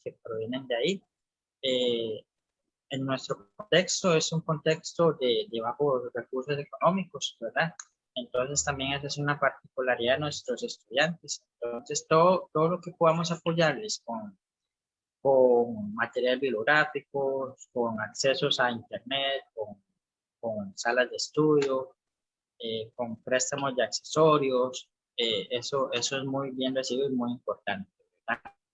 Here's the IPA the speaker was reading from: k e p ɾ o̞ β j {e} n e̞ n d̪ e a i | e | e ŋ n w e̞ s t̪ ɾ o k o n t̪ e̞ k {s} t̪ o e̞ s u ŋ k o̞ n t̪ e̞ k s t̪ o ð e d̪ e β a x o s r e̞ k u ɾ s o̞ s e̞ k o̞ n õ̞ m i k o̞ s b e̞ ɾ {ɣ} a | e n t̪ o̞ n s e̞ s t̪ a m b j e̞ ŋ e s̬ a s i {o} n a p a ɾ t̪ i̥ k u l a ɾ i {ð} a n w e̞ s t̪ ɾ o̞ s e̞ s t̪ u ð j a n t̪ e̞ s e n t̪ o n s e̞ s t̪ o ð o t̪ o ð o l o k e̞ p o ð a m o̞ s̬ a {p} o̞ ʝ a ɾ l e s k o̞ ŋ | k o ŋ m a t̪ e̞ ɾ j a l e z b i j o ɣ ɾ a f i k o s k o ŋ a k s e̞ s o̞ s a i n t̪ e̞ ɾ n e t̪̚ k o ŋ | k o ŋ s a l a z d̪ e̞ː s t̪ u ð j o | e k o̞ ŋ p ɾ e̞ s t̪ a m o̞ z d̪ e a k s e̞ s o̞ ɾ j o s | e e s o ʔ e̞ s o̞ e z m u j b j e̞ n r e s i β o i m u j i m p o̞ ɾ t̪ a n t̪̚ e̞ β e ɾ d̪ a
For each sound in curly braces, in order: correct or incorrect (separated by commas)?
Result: correct, correct, incorrect, incorrect, correct, correct